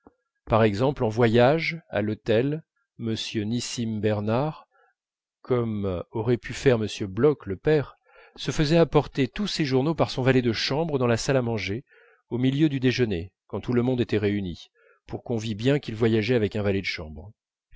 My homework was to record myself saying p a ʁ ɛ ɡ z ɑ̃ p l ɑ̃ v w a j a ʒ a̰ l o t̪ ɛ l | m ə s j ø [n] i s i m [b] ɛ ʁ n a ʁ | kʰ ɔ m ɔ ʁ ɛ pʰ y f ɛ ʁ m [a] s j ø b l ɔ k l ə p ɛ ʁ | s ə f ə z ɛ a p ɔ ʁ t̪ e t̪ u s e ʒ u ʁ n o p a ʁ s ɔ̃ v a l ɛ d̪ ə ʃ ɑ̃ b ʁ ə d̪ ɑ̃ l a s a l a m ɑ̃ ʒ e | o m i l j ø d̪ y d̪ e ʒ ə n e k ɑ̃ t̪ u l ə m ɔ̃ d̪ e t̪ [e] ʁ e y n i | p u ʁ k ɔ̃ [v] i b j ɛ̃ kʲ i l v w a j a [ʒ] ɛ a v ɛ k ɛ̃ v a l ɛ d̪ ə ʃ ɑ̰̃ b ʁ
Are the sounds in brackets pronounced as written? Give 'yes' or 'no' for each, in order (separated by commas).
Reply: yes, yes, no, no, yes, yes